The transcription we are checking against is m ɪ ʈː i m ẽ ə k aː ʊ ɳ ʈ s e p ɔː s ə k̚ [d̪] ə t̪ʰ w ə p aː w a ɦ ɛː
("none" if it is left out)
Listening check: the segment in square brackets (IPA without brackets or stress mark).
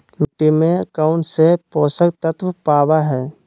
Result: t̪